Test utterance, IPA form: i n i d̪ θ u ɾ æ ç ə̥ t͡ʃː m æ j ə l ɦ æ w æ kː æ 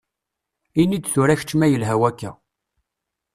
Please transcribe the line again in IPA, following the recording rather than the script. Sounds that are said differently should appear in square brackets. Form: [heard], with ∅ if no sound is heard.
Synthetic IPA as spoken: i n i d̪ θ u ɾ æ ç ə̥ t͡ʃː m æ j ə l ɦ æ w æ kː æ